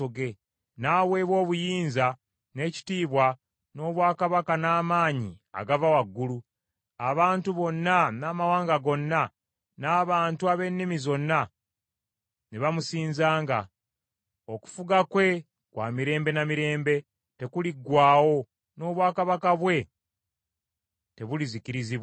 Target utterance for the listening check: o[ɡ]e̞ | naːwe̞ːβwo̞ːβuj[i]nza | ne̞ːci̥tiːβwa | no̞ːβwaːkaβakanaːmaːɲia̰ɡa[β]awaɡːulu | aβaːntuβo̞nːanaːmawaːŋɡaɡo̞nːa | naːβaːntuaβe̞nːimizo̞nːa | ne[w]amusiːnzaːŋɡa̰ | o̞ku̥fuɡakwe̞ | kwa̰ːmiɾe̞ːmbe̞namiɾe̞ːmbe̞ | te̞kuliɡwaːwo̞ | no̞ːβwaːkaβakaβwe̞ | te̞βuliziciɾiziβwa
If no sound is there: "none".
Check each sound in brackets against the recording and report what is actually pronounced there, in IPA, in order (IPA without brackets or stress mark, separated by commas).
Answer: ɡ, iː, v, β